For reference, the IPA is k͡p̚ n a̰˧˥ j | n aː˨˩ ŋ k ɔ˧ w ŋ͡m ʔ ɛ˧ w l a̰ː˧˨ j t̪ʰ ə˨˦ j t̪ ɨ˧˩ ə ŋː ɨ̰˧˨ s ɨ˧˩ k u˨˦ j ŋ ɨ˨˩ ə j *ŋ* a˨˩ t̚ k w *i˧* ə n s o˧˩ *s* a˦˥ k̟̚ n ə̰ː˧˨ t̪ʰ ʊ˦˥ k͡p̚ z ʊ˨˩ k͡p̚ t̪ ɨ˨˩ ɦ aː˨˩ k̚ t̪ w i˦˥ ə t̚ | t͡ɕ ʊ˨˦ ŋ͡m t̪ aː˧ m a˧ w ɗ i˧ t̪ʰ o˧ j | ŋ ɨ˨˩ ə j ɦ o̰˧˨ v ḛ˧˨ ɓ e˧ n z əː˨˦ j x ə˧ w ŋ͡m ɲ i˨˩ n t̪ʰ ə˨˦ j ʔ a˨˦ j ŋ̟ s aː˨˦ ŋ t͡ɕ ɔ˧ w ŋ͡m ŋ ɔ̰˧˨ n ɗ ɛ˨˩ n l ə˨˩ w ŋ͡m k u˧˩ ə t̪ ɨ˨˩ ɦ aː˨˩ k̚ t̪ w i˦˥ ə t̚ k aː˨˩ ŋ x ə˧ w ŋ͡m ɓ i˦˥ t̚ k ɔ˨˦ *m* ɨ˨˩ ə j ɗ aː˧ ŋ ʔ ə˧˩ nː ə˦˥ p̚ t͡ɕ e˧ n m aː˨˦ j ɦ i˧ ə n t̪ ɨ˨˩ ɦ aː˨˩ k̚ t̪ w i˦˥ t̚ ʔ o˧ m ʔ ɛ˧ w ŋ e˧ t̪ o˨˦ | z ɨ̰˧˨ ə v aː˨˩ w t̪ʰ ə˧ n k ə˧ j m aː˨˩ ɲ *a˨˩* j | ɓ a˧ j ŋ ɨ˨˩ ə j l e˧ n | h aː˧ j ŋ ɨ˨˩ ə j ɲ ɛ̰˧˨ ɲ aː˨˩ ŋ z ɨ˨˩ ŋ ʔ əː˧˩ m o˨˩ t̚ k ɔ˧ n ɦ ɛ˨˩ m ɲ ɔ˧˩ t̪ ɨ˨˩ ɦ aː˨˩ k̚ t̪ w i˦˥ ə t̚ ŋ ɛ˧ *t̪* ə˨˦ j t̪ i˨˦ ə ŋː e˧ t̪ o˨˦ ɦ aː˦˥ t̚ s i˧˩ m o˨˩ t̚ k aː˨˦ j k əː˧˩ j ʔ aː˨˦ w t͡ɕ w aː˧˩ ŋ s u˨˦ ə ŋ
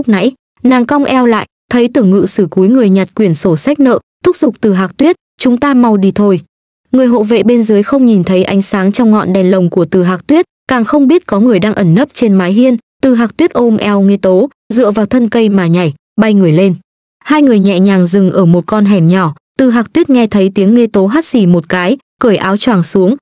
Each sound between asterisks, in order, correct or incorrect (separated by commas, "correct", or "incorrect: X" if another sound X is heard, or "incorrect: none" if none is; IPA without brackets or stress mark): incorrect: ɲ, incorrect: i˧˩, correct, incorrect: ŋ, correct, incorrect: t̪ʰ